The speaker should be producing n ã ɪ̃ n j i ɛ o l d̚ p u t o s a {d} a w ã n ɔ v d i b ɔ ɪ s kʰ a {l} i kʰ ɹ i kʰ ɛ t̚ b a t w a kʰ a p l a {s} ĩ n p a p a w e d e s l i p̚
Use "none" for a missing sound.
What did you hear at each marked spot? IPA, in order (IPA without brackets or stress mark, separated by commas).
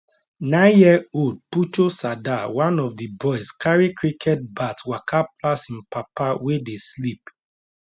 d, ɹ, s